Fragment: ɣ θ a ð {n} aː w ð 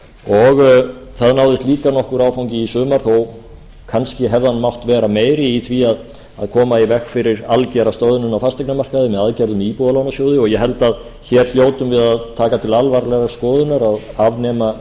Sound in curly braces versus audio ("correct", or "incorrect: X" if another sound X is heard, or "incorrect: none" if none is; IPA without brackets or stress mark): correct